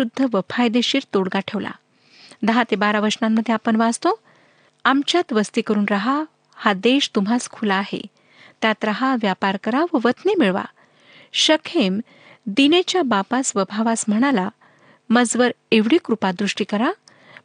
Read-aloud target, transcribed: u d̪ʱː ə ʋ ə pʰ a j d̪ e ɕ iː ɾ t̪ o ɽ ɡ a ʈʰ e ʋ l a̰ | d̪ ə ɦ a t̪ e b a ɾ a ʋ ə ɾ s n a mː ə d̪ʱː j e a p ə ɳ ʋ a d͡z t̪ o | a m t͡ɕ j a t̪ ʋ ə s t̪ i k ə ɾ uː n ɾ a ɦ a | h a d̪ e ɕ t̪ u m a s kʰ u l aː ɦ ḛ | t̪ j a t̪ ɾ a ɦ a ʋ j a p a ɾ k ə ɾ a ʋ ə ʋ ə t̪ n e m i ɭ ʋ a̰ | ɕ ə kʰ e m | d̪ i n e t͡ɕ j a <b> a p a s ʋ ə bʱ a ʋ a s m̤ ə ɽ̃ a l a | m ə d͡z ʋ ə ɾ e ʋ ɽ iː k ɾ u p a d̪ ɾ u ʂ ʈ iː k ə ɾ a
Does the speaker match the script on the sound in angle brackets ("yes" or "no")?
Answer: yes